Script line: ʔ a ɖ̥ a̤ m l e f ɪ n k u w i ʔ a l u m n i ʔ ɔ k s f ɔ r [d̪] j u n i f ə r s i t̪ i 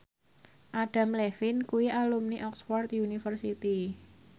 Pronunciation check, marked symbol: incorrect: t̪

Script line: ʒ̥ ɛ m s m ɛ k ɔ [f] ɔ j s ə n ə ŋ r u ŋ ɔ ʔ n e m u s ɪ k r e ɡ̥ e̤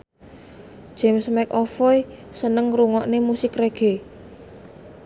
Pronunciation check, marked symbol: correct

